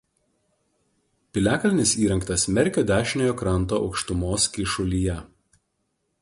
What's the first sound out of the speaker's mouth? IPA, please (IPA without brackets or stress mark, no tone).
pʲ